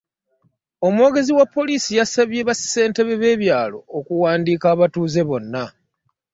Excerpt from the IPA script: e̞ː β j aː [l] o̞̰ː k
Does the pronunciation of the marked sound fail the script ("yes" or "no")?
no